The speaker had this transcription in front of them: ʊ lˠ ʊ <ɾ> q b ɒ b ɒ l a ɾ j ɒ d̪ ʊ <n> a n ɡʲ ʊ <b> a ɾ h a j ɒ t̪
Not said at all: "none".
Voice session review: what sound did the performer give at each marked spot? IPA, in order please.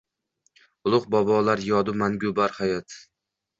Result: none, m, b

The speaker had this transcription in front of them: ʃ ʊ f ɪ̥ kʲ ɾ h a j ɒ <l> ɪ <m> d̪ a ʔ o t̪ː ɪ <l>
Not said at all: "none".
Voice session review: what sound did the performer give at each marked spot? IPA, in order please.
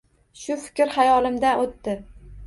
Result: l, m, none

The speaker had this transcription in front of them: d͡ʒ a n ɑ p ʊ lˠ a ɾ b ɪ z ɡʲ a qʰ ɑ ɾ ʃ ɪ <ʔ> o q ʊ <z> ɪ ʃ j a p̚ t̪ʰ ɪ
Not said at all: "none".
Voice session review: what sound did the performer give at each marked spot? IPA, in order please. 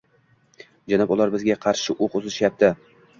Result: ʔ, z

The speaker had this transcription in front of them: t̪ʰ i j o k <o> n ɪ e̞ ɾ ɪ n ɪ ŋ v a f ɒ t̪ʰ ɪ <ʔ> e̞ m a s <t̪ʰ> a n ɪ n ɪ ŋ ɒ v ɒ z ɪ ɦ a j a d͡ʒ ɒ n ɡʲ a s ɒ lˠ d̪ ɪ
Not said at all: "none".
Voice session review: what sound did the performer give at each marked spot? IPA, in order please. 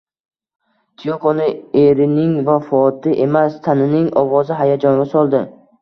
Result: o, ʔ, t̪ʰ

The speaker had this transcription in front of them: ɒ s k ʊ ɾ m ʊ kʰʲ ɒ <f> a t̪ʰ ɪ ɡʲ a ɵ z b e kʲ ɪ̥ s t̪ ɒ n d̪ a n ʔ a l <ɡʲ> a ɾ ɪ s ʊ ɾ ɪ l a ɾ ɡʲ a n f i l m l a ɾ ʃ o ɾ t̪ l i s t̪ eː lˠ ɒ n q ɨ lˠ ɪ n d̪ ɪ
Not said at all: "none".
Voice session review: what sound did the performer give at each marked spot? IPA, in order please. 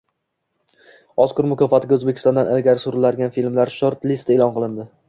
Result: f, ɡʲ

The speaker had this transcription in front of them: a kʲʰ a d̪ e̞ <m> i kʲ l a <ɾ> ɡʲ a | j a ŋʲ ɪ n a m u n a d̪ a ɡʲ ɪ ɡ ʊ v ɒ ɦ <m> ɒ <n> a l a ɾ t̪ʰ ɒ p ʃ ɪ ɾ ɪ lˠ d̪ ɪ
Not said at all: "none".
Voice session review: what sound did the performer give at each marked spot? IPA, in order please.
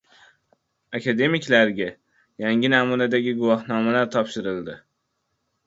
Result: m, ɾ, n, m

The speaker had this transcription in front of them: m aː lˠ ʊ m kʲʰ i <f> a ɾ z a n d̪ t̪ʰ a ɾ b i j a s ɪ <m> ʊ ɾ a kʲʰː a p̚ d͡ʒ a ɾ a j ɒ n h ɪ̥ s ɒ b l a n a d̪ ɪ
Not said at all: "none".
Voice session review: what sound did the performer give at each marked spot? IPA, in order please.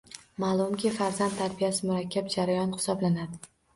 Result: f, m

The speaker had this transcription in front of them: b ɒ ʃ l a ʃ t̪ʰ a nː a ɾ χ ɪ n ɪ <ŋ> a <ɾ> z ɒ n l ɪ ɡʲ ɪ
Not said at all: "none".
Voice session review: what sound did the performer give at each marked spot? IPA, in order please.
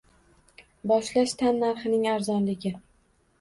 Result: ŋ, ɾ

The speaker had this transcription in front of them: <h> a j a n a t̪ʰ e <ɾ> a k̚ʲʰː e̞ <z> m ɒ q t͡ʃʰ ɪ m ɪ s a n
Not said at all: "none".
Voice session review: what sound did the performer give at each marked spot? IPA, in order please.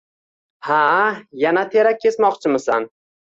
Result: h, ɾ, s

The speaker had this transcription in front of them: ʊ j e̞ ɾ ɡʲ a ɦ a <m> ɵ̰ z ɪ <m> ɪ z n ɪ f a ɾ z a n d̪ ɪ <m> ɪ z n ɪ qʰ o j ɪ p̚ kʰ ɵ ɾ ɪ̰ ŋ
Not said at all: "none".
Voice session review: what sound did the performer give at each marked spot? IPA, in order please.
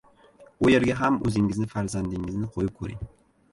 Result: m, ŋ, ŋ

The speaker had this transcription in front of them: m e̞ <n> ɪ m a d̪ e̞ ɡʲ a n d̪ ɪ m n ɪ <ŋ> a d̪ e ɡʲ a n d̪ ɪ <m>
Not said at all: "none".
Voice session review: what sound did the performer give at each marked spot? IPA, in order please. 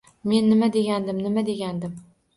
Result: nː, m, m

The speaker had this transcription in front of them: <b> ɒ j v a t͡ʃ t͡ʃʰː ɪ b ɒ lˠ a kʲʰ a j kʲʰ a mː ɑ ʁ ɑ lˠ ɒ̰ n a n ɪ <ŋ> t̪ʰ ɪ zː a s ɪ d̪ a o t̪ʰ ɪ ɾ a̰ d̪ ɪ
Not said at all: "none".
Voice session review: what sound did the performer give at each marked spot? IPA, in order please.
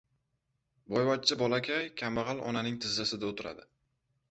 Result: b, ŋ

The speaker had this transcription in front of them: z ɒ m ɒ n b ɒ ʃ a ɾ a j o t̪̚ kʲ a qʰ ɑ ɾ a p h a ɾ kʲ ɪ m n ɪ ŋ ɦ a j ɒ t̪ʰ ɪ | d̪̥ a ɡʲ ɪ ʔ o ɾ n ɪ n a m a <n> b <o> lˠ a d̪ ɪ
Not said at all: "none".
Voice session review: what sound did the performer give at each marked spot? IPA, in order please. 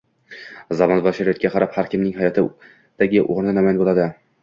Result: n, o

